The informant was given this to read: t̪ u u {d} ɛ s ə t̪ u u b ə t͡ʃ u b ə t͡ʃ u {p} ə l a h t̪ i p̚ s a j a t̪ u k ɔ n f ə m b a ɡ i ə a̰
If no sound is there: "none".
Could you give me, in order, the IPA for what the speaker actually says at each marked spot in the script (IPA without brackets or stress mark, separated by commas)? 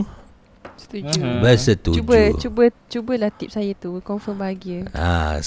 b, b